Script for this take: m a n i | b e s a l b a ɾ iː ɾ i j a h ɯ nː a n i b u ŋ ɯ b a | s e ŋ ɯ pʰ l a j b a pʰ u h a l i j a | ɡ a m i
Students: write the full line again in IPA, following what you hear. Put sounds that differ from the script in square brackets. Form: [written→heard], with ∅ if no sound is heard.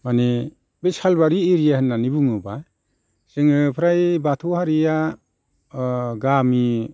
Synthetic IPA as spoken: m a n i | b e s a l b a ɾ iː ɾ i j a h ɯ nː a n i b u ŋ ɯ b a | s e ŋ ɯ pʰ [l→ɾ] a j b a [pʰ→tʰ] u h a [l→ɾ] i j a | ɡ a m i